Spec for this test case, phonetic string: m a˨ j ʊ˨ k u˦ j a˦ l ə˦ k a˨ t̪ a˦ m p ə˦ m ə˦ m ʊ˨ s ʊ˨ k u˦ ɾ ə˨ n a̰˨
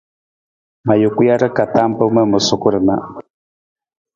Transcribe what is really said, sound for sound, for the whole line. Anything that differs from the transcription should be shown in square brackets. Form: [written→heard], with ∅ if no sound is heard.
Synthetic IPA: m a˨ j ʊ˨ k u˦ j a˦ [l→ɾ] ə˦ k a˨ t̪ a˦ m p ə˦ m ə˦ m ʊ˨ s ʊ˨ k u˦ ɾ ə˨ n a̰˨